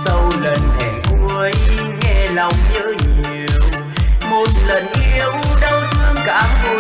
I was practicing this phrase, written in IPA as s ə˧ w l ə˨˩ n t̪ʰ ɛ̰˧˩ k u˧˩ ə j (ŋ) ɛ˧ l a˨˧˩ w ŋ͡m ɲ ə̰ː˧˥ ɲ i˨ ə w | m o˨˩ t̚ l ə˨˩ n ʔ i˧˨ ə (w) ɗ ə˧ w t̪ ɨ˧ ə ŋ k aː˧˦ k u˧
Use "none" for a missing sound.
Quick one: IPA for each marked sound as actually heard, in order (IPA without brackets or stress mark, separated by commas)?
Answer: ŋ, w